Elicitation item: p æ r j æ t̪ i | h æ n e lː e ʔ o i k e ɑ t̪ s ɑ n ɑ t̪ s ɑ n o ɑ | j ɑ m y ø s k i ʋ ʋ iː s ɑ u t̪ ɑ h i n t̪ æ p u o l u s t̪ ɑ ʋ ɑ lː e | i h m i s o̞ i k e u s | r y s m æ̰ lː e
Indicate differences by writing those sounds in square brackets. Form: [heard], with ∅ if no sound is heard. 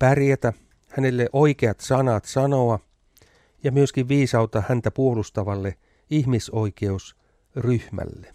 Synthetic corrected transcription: p æ r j æ t̪ [æ] | h æ n e lː e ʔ o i k e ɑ t̪ s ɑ n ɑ t̪ s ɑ n o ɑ | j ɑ m y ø s k i ʋ ʋ iː s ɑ u t̪ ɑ h [æ] n t̪ æ p u o l u s t̪ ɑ ʋ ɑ lː e | i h m i s o̞ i k e u s | r y [h] m æ̰ lː e